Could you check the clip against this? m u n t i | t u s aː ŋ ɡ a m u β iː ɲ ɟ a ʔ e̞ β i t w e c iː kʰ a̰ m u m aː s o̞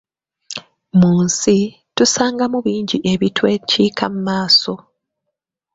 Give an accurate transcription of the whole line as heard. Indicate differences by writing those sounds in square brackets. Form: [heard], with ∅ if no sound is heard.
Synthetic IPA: m [uː] n [s] i | t u s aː ŋ ɡ a m u β iː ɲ ɟ [i] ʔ e̞ β i t w e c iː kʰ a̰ m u m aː s o̞